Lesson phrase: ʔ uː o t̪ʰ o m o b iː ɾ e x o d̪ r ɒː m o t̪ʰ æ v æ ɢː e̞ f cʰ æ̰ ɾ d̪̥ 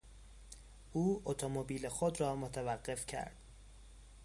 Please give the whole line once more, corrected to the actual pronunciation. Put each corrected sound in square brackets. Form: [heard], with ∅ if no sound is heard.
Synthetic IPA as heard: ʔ uː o t̪ʰ o m o b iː [l] e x o d̪ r ɒː m o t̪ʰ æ v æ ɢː e̞ f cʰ æ̰ ɾ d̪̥